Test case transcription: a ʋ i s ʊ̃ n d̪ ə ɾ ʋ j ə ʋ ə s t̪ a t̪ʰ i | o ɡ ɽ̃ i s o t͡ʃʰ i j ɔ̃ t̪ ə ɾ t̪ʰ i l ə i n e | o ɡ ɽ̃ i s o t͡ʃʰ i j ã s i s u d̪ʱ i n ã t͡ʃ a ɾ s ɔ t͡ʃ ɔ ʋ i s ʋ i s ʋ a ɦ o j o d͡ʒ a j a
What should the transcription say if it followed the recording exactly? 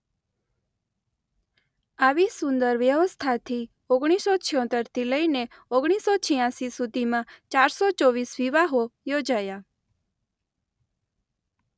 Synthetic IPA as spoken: a ʋ i s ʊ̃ n d̪ ə ɾ ʋ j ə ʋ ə s t̪ʰ a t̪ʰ i | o ɡ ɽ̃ i s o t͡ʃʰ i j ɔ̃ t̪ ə ɾ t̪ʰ i l ə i n e | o ɡ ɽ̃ i s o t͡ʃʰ i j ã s i s u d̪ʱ i m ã t͡ʃ a ɾ s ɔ t͡ʃ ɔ ʋ i s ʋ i ʋ a ɦ o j o d͡ʒ a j a